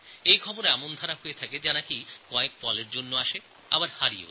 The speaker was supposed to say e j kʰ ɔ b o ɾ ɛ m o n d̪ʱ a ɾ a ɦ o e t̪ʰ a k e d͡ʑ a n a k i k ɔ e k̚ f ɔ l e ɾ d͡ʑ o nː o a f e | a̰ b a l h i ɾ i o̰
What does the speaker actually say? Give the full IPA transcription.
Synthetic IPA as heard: e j kʰ ɔ b o ɾ ɛ m o n d̪ʱ a ɾ a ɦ o e t̪ʰ a k e d͡ʑ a n a k i k ɔ e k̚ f ɔ l e ɾ d͡ʑ o nː o a ʃ e | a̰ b a ɾ h a ɾ i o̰